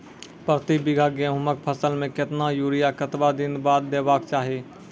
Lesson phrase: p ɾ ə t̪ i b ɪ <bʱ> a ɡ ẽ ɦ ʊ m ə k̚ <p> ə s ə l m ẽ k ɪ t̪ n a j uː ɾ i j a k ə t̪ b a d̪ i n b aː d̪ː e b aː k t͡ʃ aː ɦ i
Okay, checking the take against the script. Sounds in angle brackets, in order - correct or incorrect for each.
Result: incorrect, incorrect

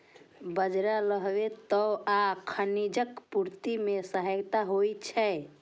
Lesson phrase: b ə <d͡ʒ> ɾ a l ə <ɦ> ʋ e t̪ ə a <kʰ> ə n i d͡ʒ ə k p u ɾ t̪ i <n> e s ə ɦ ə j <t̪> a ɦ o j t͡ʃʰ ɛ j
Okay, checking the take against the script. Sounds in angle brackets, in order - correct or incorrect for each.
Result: correct, correct, correct, incorrect, correct

